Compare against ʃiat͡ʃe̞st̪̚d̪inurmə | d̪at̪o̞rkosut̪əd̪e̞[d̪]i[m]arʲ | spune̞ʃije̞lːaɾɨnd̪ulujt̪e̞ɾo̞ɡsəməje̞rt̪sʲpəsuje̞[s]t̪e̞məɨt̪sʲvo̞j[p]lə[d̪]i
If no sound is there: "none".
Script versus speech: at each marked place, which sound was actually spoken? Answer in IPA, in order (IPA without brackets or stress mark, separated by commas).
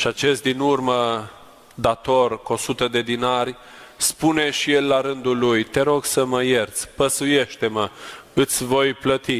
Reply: d̪, n, ʃ, p, t̪